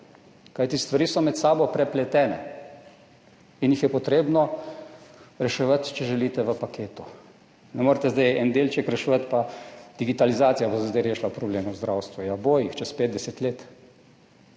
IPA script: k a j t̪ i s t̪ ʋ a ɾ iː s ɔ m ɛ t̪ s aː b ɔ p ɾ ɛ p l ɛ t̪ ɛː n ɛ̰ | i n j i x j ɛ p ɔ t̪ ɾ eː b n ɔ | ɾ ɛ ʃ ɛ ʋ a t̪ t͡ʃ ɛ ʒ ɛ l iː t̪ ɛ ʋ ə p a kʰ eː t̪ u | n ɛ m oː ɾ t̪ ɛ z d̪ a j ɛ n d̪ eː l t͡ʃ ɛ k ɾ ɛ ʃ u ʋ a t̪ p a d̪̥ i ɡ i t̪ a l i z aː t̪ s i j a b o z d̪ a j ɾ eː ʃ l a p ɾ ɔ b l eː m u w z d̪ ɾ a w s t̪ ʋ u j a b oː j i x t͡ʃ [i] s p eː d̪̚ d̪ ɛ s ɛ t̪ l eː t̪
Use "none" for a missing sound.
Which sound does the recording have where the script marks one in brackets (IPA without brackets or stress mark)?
ɛ